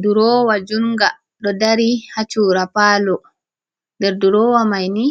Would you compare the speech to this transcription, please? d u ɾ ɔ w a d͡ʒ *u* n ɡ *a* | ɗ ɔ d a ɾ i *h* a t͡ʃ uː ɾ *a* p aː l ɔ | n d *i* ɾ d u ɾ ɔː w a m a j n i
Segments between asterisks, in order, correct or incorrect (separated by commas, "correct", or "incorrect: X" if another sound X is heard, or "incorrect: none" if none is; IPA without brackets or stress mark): correct, correct, correct, correct, incorrect: ɛ